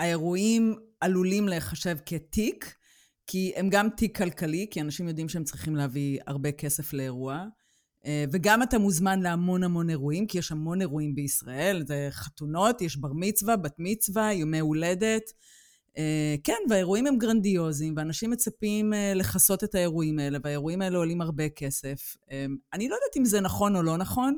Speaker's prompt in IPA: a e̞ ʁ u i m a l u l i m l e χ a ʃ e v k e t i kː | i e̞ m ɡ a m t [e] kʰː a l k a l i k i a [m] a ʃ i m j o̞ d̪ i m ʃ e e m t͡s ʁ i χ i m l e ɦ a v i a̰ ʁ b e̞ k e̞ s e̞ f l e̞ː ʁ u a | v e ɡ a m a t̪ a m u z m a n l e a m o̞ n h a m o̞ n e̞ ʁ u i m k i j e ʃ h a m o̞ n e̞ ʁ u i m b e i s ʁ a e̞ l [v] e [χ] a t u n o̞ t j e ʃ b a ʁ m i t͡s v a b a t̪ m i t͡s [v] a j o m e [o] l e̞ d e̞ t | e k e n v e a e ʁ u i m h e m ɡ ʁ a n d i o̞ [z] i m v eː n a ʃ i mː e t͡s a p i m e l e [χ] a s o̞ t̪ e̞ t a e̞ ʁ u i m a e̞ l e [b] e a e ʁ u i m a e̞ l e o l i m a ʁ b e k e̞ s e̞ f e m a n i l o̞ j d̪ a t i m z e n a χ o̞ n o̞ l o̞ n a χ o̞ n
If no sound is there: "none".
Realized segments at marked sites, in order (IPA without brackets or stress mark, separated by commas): i, n, z, χ, v, u, z, χ, v